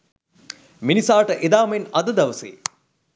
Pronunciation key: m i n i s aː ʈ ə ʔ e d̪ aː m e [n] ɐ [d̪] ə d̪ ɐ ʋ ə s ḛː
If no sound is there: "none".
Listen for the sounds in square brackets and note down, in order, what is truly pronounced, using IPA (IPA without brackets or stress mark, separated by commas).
n, d̪